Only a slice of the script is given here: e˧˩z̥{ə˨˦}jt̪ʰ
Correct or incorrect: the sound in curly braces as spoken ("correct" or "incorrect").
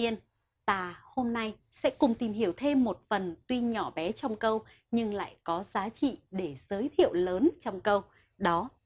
incorrect